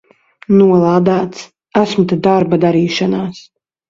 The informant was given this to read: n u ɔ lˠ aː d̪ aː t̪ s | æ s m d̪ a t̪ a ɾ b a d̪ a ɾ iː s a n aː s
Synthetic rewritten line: n u ɔ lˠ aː d̪ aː t̪ s | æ s m t̪ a d̪ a ɾ b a d̪ a ɾ iː ʃ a n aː s